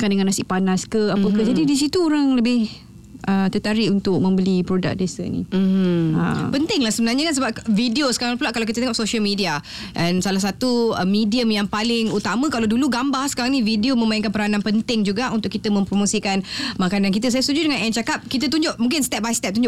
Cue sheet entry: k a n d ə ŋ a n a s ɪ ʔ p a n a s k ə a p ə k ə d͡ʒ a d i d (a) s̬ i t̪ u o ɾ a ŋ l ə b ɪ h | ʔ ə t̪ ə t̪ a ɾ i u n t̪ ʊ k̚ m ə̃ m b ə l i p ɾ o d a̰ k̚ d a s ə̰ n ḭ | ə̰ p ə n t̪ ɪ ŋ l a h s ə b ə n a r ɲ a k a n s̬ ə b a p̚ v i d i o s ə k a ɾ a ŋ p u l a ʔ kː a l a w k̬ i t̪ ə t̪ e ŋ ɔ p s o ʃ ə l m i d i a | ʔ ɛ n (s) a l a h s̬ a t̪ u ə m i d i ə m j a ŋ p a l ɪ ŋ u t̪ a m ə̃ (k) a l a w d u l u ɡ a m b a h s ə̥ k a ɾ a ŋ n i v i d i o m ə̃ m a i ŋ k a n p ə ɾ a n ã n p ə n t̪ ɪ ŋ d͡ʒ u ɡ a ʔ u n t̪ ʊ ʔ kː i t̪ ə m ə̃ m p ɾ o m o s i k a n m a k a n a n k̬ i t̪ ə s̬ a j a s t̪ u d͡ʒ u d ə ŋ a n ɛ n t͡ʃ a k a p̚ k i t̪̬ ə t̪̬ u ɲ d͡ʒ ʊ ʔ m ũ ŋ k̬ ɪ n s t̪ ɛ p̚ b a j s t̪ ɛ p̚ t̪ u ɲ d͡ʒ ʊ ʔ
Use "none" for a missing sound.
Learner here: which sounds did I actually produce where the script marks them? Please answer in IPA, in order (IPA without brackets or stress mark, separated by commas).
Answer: i, s, k